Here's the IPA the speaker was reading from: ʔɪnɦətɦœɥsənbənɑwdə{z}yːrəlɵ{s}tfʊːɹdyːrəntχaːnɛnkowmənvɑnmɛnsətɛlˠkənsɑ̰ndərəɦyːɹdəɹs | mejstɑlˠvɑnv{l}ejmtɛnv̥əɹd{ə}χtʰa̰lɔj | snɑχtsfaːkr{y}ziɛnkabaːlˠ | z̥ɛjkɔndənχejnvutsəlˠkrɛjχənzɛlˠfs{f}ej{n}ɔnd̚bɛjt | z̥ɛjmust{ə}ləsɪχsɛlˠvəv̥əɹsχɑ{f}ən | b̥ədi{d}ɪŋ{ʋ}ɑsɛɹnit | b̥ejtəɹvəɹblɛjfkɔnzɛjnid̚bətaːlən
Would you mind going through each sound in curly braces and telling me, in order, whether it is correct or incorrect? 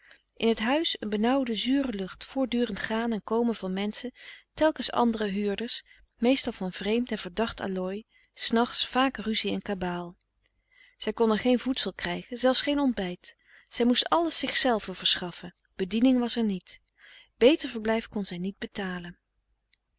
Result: correct, incorrect: χ, incorrect: r, incorrect: ɑ, correct, incorrect: χ, correct, incorrect: ɑ, correct, incorrect: n, correct

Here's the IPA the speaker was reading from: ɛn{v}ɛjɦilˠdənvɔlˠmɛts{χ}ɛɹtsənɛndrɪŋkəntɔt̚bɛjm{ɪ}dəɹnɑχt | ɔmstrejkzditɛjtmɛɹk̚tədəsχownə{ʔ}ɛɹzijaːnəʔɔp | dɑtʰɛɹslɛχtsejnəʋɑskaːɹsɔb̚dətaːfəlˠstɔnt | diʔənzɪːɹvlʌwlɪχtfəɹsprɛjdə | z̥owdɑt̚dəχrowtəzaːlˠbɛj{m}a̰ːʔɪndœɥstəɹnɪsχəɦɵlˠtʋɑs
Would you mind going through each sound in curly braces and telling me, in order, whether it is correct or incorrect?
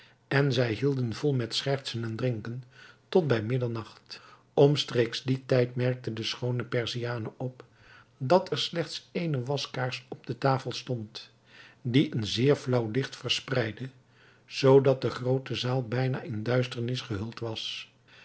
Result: incorrect: z, correct, correct, incorrect: p, incorrect: n

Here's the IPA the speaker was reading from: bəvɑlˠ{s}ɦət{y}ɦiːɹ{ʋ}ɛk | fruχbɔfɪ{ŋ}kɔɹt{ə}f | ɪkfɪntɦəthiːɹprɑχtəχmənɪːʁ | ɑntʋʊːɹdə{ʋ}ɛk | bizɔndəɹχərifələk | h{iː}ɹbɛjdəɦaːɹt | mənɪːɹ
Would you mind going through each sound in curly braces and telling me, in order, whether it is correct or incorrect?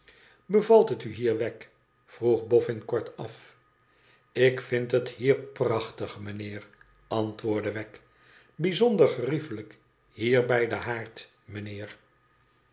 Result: incorrect: t, correct, correct, incorrect: n, incorrect: ɑ, correct, correct

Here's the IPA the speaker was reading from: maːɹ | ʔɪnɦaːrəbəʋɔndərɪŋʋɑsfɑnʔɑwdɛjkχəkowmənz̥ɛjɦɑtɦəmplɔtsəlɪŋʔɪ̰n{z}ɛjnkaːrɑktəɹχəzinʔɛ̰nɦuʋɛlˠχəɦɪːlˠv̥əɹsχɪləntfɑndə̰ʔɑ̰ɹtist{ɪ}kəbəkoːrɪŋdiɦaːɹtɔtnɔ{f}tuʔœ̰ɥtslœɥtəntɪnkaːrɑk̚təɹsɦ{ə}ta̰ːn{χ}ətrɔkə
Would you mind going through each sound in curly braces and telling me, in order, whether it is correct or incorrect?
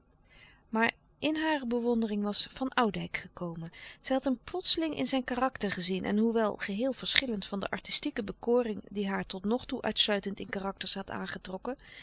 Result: correct, incorrect: i, incorrect: χ, incorrect: ɑ, correct

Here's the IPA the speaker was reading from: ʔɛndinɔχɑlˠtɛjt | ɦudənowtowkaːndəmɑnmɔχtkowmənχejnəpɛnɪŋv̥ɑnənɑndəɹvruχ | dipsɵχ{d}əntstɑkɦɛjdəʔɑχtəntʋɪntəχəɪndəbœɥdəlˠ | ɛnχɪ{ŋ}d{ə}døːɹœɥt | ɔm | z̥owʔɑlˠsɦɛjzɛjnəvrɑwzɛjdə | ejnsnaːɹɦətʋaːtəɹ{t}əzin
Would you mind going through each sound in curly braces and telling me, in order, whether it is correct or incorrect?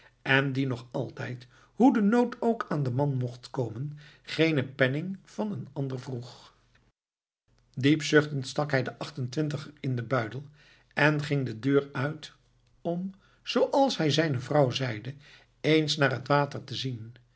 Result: incorrect: t, correct, correct, correct

